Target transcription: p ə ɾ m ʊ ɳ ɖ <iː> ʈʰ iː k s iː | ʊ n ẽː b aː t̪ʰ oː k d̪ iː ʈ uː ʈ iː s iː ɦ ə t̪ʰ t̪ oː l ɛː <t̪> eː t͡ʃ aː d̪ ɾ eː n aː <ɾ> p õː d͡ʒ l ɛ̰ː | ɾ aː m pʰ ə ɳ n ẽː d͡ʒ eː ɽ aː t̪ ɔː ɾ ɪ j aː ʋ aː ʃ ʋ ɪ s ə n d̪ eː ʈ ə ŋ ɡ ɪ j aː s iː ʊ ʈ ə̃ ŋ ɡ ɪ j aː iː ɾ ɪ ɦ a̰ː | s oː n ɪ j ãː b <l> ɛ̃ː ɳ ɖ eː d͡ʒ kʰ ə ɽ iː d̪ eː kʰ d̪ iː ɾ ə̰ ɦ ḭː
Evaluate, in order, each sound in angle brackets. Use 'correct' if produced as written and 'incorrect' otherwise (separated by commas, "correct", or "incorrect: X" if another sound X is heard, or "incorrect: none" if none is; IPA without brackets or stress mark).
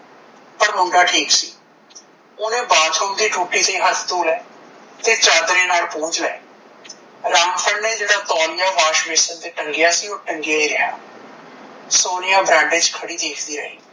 incorrect: aː, correct, incorrect: l, incorrect: ɾ